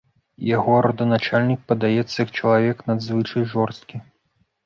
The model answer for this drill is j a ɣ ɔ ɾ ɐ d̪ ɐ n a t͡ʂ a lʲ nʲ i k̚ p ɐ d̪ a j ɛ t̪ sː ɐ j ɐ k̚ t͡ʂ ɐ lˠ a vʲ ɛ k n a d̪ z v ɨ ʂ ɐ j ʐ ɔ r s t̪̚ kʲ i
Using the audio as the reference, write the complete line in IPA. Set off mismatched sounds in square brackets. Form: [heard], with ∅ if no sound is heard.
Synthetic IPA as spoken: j a ɣ ɔ ɾ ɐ d̪ ɐ n a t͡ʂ a lʲ nʲ i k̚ p ɐ d̪ a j ɛ t̪ sː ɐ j ɐ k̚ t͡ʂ ɐ lˠ a vʲ ɛ k n a d̪ z v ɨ [t͡ʂ] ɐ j ʐ ɔ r s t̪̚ kʲ i